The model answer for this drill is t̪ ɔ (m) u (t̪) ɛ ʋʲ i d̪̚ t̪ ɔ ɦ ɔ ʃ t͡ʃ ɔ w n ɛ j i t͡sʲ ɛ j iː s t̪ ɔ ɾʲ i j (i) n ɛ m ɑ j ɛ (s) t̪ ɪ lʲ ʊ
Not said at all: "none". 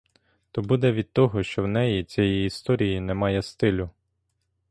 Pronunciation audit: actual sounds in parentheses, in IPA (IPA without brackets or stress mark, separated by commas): b, d̪, i, s